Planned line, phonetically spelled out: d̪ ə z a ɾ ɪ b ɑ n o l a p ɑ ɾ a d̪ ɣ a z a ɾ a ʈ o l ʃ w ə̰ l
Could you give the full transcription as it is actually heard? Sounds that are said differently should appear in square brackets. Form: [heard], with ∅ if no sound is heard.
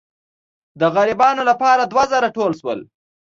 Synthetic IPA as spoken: d̪ ə [ɣ] a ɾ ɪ b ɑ n o l a p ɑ ɾ a d̪ [w] a z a ɾ a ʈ o l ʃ w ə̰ l